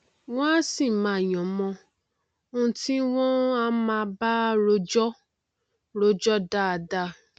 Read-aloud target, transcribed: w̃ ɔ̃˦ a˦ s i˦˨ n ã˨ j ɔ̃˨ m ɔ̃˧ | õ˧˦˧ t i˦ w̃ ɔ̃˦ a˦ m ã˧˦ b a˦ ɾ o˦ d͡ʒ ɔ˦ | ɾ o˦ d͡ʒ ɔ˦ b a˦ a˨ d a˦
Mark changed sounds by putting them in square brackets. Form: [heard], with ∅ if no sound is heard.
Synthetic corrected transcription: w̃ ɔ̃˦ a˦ s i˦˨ [m] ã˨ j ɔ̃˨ m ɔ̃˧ | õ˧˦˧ t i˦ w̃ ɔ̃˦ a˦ m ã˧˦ b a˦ ɾ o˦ d͡ʒ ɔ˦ | ɾ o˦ d͡ʒ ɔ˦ [d] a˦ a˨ d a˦